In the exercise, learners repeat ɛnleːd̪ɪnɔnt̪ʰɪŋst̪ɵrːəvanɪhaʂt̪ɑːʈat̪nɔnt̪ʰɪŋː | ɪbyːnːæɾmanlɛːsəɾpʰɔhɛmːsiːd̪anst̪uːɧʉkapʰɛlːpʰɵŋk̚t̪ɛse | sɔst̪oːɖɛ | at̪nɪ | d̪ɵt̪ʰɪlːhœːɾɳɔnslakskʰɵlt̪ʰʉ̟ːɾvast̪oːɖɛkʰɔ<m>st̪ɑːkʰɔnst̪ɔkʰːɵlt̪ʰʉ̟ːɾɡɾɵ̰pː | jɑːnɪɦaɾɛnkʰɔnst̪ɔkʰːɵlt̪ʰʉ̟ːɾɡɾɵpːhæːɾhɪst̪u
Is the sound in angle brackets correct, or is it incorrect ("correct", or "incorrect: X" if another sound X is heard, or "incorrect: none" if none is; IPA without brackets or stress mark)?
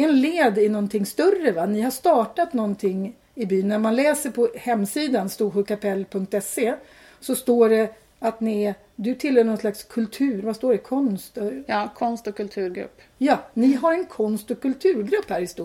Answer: incorrect: n